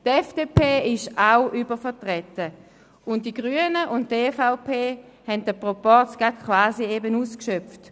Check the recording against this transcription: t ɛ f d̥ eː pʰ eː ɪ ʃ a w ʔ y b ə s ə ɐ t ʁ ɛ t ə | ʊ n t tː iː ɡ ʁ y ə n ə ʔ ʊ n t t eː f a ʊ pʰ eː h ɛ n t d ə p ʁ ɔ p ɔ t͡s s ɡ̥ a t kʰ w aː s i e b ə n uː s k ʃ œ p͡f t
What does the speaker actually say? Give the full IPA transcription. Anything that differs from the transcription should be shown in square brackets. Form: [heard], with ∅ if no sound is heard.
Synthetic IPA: t ɛ f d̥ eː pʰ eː ɪ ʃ a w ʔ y b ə [f] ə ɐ t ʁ ɛ t ə | ʊ n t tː [i] ɡ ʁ y ə n ə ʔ ʊ n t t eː f a ʊ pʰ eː h ɛ n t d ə p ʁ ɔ p ɔ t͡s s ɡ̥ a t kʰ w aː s i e b ə n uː s k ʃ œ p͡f t